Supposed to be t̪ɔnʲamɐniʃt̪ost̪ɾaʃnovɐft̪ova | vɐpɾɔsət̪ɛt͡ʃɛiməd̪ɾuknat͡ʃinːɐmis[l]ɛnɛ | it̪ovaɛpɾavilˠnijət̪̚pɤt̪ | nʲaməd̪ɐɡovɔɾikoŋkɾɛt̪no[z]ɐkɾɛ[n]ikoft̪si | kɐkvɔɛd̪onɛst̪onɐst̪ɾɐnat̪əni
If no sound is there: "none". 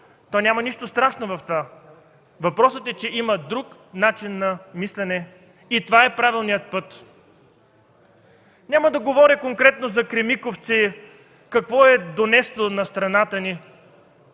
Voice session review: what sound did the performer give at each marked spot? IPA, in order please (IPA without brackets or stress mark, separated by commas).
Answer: l, z, m